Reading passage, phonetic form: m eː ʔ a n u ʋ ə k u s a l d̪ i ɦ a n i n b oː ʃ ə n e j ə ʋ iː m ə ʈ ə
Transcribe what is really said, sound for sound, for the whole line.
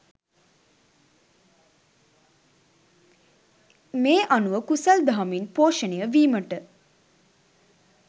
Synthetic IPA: m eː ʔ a n u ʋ ə k u s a l d̪ a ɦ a m i n p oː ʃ ə n e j ə ʋ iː m ə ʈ ə